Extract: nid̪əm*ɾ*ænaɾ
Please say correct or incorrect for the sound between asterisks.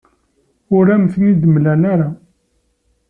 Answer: incorrect